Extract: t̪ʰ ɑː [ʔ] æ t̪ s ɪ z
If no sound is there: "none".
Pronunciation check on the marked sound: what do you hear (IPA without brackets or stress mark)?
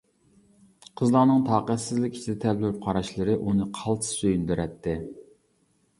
q